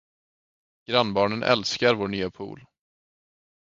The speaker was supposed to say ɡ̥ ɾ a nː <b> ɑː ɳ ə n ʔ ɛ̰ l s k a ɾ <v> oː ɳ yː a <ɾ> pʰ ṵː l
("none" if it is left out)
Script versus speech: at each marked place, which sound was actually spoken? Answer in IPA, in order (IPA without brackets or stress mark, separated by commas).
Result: b, v, none